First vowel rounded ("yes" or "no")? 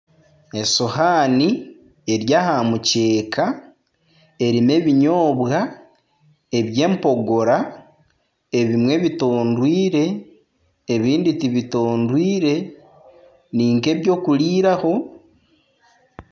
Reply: no